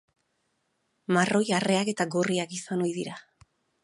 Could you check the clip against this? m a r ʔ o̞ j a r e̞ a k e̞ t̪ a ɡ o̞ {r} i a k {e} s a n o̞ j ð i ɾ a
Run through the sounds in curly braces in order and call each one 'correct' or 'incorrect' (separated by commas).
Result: correct, incorrect